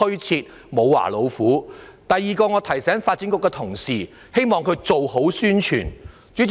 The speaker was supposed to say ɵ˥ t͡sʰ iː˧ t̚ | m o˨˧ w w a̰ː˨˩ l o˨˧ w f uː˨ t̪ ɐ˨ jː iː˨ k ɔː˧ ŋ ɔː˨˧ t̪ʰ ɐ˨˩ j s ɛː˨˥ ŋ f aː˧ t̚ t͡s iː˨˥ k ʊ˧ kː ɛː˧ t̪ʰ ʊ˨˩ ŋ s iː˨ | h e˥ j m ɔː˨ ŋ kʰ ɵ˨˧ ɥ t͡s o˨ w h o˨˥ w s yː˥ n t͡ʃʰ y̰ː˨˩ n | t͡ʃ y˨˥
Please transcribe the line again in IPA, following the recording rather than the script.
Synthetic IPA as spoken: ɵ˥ t͡sʰ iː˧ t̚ | m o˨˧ w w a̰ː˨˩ l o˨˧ w f uː˨˥ t̪ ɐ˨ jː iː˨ k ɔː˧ ŋ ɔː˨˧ t̪ʰ ɐ˨˩ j s ɛː˨˥ ŋ f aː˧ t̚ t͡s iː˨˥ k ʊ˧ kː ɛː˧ t̪ʰ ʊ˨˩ ŋ s iː˨ | h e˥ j m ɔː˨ ŋ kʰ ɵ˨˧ ɥ t͡s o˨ w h o˨˥ w s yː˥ n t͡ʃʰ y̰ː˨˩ n | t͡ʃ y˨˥